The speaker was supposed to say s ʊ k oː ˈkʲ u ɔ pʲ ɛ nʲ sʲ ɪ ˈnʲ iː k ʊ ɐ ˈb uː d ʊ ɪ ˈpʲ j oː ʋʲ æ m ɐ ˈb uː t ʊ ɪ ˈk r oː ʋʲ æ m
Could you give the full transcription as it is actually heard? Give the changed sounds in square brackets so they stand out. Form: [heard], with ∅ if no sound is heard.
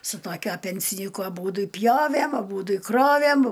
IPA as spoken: s ʊ [t] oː ˈkʲ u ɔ pʲ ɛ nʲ sʲ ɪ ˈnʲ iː k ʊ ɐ ˈb uː d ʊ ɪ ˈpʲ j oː ʋʲ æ m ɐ ˈb uː [d] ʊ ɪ ˈk r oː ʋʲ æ m